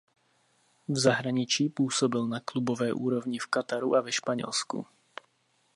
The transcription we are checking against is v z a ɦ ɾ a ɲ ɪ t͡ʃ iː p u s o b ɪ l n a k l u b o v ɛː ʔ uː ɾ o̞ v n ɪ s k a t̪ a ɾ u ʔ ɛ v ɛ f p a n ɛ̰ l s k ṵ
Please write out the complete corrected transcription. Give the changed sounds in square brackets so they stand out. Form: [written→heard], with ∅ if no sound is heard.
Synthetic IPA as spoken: v z a ɦ ɾ a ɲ ɪ t͡ʃ iː p [u→uː] s o b ɪ l n a k l u b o v ɛː ʔ uː ɾ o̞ v [n→ɲ] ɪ [s→f] k a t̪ a ɾ u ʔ [ɛ→a] v ɛ [f→ʃ] p a [n→ɲ] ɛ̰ l s k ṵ